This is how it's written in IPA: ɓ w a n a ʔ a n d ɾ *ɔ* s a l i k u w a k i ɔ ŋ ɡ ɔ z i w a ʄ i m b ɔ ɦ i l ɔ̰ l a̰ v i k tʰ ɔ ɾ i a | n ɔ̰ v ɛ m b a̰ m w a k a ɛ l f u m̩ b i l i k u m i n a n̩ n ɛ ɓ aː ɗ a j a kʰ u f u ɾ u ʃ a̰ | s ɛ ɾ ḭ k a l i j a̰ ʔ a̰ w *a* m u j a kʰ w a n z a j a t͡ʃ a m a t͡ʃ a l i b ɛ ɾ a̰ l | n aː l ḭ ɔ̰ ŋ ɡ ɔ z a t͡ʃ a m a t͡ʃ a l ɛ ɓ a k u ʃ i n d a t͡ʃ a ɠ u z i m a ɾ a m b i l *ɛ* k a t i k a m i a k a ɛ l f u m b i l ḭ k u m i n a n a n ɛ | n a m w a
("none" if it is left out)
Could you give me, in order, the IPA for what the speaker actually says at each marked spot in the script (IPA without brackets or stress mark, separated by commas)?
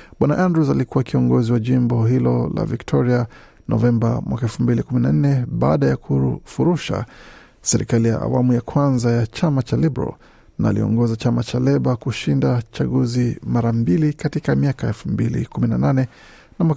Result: u, a, i